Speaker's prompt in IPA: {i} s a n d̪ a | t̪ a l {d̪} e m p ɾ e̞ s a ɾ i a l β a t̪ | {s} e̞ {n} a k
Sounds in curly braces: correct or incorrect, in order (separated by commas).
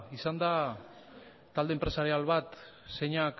correct, correct, correct, incorrect